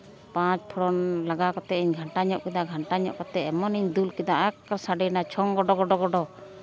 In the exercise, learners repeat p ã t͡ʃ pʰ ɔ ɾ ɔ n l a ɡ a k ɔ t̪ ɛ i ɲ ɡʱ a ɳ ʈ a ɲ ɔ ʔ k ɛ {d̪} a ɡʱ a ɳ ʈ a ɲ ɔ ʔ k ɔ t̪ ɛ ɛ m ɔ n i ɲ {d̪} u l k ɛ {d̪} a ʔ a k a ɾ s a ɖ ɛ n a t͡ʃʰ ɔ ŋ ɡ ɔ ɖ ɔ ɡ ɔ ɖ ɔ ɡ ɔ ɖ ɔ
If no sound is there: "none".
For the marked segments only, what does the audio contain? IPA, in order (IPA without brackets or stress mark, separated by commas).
d̪, d̪, d̪